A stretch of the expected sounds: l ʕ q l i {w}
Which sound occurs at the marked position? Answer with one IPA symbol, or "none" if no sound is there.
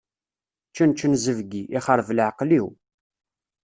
w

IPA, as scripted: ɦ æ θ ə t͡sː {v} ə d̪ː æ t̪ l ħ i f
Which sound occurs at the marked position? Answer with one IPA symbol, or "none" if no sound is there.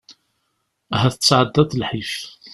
ʕ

